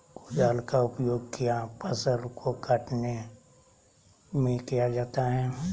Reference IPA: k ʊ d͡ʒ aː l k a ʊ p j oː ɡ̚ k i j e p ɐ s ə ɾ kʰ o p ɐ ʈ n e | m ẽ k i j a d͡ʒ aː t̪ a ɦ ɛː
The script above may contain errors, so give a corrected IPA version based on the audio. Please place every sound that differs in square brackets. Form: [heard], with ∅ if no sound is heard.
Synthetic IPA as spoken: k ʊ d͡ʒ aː l k a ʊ p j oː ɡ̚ k i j [a] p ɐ s ə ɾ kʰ o [k] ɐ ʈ n e | m ẽ k i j a d͡ʒ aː t̪ a ɦ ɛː